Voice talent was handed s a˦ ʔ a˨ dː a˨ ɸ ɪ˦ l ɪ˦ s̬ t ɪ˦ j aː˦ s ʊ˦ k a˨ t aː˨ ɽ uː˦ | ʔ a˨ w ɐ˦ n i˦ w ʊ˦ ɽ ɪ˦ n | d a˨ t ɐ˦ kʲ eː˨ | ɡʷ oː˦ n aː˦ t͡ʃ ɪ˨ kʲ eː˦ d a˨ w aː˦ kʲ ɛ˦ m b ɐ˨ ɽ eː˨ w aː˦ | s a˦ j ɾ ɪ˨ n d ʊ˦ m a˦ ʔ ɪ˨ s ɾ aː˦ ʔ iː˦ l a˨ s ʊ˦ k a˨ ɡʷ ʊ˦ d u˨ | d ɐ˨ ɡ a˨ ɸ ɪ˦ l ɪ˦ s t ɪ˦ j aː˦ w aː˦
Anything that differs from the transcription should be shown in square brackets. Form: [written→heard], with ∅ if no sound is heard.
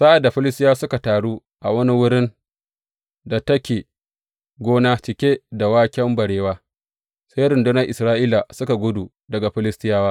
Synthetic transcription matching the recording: s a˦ ʔ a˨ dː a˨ ɸ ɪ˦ l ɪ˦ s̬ t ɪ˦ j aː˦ s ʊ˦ k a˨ t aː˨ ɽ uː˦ | ʔ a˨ w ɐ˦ n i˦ w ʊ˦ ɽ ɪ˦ n | d a˨ t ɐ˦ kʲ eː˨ | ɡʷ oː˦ n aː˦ t͡ʃ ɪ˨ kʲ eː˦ d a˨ w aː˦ kʲ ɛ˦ m b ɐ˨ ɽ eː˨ w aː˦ | s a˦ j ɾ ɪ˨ n d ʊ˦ [m→n] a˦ ʔ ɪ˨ s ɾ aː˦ ʔ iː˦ l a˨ s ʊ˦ k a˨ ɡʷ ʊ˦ d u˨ | d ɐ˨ ɡ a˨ ɸ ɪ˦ l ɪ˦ s t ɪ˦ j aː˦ w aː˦